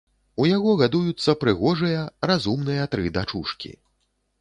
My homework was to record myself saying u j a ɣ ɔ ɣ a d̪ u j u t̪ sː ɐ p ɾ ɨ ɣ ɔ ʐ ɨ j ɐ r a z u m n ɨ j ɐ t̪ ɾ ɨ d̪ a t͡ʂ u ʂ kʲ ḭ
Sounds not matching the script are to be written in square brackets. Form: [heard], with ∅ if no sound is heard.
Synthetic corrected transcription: u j a ɣ ɔ ɣ a d̪ u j u t̪ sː ɐ p ɾ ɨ ɣ ɔ ʐ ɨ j ɐ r a z u m n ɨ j ɐ t̪ ɾ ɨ d̪ a t͡ʂ u ʂ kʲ ḭ